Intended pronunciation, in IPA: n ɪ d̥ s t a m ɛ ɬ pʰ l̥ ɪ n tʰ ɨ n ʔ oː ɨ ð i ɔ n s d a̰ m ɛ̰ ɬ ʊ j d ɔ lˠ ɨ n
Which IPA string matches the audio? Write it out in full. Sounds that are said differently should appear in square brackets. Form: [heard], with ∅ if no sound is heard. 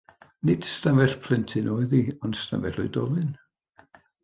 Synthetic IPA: n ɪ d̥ s t a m ɛ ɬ pʰ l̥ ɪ n tʰ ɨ n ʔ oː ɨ ð i ɔ n s [t] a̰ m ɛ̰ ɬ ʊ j d ɔ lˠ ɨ n